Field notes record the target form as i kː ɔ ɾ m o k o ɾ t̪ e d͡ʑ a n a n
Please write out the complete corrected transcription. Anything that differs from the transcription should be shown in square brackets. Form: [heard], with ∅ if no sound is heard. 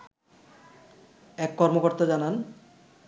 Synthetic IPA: [ɛ] kː ɔ ɾ m o k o ɾ t̪ [a] d͡ʑ a n a n